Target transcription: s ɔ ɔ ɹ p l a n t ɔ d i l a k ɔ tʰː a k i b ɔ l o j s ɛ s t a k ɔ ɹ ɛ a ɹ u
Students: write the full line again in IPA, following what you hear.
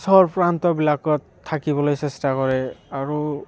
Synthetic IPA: s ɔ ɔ ɹ p ɹ a n t ɔ b i l a k ɔ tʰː a k i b ɔ l o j s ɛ s t a k ɔ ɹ ɛ a ɹ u